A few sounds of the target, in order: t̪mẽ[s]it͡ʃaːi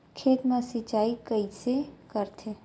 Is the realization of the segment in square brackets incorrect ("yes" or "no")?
no